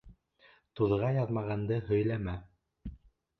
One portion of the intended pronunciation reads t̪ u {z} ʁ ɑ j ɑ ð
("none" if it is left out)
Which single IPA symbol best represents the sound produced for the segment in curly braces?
ð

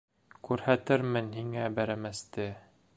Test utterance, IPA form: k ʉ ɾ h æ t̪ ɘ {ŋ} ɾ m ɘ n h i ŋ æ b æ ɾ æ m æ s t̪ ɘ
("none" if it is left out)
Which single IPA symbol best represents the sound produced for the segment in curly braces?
none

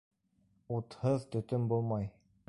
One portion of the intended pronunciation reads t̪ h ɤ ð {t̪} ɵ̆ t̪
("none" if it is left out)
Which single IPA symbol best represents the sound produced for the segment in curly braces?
t̪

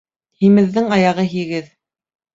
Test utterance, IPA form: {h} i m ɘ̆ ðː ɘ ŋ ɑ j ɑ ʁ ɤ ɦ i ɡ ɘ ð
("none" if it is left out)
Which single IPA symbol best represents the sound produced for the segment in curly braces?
h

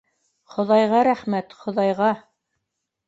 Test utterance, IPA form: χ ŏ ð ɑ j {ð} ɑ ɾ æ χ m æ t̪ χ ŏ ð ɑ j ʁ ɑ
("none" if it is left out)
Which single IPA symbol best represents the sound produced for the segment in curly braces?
ʁ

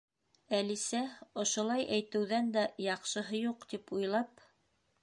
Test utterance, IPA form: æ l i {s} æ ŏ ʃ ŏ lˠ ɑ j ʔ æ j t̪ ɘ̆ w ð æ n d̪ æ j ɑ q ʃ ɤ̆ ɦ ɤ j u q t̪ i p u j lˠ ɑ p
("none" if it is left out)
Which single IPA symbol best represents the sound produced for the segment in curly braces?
s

